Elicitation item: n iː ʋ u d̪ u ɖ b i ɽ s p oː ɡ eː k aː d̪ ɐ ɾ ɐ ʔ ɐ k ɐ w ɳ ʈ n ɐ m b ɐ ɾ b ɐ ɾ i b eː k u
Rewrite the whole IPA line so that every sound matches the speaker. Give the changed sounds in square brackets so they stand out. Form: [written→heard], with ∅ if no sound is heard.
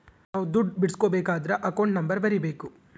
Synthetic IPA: n [iː→aː] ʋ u d̪ u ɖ b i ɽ s [p→k] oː [ɡ→b] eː k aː d̪ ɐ ɾ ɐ ʔ ɐ k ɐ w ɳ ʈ n ɐ m b ɐ ɾ b ɐ ɾ i b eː k u